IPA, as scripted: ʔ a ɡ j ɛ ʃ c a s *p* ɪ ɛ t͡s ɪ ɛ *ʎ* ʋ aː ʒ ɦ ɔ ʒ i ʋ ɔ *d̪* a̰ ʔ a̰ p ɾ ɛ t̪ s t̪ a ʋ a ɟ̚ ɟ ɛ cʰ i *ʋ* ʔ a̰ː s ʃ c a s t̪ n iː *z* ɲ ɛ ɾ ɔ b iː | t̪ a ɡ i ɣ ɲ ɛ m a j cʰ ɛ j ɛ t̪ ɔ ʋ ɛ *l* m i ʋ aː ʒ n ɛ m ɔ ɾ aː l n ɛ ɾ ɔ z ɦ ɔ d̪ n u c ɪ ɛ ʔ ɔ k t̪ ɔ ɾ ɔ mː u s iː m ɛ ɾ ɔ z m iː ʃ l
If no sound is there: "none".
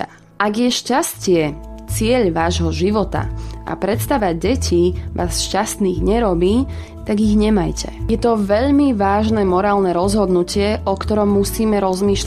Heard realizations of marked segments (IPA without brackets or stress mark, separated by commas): c, ʎ, t̪, ʋ, ɣ, ʎ